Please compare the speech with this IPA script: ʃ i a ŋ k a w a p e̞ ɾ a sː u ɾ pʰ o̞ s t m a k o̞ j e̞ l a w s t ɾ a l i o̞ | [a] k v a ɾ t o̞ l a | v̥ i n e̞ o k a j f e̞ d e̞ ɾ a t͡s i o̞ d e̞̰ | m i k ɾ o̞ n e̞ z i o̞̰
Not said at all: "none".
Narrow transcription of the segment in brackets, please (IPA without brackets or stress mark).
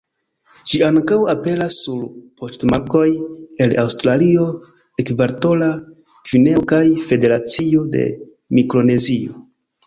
e